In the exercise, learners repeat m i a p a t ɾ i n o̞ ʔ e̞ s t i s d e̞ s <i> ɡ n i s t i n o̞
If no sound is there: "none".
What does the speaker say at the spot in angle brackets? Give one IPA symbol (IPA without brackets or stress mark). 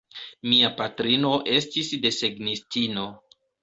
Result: e